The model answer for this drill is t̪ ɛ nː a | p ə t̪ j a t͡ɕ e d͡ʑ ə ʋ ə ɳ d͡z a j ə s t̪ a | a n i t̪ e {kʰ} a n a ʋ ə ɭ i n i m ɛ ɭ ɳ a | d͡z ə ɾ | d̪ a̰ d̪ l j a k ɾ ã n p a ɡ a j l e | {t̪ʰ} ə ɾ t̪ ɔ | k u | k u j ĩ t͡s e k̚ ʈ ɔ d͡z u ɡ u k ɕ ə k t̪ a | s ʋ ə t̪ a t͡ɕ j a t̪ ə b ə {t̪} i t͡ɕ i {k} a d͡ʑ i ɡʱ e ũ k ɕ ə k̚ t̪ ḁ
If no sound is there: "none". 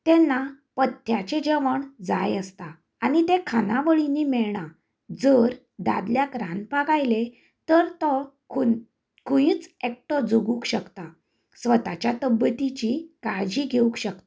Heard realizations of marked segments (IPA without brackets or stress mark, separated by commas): kʰ, t̪, t̪, k